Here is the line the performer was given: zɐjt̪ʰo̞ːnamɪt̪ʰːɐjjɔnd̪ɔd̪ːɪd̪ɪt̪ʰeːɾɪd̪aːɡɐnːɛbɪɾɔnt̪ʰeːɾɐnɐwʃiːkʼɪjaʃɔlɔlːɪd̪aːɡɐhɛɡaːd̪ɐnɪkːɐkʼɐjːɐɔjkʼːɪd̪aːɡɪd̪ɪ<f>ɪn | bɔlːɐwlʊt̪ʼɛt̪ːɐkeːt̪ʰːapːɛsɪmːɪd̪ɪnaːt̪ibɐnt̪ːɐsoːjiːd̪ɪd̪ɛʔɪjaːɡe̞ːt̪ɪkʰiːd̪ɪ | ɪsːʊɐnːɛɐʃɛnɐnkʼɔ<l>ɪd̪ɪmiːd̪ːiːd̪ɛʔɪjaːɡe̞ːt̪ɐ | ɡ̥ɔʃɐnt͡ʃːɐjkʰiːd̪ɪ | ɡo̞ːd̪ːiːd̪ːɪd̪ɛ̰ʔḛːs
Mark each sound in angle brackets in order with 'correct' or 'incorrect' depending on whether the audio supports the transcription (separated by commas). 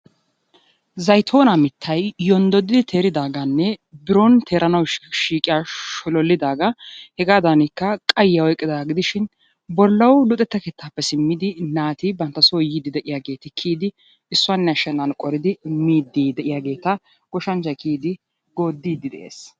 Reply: incorrect, incorrect